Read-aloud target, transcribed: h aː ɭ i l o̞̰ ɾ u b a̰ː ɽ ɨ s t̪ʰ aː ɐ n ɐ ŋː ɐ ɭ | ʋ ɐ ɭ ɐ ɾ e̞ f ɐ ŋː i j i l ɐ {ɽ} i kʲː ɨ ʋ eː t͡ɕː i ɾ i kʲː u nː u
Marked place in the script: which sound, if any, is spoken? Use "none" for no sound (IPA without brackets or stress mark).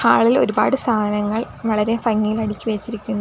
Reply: ɽ